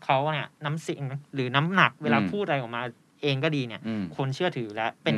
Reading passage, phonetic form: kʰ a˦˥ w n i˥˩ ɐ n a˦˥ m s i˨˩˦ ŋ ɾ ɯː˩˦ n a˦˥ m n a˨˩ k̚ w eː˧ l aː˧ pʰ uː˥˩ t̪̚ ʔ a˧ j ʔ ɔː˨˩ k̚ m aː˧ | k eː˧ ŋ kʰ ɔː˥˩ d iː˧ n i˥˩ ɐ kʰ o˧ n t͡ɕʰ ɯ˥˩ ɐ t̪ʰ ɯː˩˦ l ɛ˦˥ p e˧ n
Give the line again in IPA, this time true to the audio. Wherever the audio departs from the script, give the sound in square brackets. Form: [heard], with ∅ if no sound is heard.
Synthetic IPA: kʰ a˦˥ w n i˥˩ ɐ n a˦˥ m s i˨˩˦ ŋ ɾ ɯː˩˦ n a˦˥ m n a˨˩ k̚ w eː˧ l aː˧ pʰ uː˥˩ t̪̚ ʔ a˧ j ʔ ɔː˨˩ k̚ m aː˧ | [ʔ] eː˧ ŋ [k] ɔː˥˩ d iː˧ n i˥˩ ɐ kʰ o˧ n t͡ɕʰ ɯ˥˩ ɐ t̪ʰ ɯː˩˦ l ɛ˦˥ p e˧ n